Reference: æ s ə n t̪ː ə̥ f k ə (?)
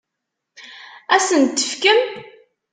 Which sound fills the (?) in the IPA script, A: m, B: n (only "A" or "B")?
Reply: A